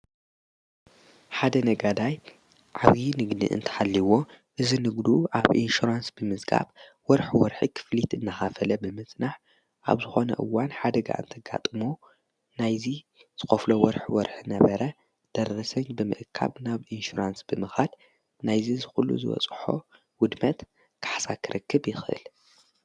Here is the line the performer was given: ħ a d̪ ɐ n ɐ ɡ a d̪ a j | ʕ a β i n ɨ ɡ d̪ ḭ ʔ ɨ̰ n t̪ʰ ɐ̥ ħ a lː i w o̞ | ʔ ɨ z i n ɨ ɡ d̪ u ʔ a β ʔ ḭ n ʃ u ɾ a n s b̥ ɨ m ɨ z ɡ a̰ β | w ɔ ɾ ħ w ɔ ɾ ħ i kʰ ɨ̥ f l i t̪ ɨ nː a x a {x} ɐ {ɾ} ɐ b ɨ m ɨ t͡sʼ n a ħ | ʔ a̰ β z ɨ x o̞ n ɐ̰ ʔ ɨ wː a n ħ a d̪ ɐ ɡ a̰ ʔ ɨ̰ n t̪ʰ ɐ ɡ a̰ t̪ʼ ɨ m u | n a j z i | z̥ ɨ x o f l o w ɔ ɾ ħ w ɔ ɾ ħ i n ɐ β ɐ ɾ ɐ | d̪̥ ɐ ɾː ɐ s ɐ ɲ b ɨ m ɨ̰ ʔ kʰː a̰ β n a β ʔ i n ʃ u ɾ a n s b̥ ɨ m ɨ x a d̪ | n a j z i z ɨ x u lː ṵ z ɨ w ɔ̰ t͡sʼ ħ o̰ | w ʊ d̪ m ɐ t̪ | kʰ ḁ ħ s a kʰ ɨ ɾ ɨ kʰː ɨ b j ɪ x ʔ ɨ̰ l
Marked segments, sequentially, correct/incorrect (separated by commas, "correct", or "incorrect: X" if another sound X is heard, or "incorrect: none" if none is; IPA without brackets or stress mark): incorrect: f, incorrect: l